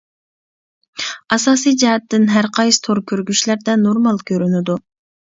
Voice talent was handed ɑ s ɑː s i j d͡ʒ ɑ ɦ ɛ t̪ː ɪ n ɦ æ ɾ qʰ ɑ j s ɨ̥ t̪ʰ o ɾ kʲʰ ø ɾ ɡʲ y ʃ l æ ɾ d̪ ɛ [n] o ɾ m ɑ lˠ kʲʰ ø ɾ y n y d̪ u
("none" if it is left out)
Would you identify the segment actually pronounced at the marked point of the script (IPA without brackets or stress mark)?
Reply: n